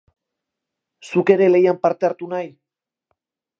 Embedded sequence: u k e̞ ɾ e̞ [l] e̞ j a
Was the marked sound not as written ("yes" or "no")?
no